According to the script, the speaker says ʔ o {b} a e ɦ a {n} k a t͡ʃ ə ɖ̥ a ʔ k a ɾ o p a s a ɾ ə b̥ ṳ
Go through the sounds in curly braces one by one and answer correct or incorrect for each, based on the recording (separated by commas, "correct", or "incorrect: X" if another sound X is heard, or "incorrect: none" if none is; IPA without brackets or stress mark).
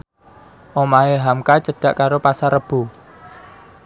incorrect: m, incorrect: m